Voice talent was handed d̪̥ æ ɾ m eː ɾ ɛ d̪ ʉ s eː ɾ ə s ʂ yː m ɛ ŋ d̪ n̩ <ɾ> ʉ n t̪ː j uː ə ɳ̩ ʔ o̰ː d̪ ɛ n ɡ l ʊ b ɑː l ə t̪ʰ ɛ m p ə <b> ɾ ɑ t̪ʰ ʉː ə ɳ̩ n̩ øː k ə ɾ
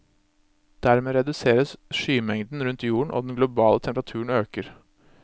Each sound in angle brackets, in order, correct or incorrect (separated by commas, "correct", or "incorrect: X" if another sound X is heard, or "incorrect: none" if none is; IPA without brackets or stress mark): correct, incorrect: none